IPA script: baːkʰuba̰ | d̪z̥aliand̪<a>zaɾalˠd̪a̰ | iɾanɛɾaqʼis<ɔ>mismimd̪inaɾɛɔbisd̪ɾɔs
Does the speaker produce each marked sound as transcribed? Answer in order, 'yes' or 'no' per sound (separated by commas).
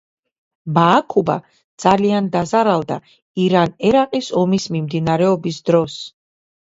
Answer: yes, yes